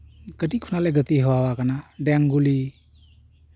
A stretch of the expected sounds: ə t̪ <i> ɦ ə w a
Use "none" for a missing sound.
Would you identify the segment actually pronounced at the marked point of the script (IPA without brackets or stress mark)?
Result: i